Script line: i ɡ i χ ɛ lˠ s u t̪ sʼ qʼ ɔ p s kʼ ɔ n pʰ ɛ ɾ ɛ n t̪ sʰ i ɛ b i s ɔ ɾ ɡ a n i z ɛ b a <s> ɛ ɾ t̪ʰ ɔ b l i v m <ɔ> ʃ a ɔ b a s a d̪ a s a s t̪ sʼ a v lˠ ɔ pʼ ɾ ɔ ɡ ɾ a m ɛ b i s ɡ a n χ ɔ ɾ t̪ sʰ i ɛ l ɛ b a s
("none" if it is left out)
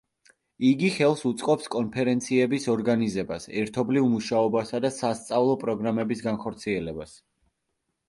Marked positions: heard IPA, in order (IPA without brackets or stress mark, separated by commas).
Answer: s, u